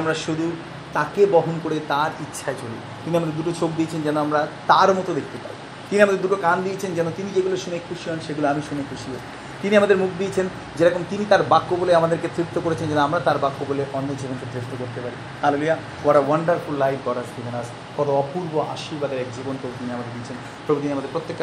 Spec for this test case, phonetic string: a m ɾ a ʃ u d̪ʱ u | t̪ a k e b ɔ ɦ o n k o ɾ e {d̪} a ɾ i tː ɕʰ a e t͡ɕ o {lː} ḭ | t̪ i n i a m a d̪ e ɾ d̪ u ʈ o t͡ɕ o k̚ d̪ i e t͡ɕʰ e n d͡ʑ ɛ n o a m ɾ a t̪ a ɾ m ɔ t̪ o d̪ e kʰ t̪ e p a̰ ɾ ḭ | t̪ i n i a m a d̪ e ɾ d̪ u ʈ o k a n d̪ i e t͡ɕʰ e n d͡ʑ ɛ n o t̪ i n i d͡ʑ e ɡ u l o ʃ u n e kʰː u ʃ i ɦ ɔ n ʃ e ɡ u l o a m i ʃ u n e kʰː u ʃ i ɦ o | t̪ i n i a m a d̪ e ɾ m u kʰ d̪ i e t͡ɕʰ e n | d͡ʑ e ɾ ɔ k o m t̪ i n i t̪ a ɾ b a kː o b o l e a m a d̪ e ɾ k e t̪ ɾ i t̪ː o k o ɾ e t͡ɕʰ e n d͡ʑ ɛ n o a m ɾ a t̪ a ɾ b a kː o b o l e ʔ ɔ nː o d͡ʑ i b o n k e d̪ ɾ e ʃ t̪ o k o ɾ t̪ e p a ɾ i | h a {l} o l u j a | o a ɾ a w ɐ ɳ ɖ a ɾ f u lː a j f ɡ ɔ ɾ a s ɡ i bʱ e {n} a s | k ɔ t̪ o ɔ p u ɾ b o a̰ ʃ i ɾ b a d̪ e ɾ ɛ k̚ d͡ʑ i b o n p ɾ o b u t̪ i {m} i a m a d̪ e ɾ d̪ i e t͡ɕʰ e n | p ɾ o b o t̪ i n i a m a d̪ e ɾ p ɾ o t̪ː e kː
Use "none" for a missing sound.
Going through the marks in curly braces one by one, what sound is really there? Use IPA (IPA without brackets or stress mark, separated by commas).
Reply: t̪, l, l, n, n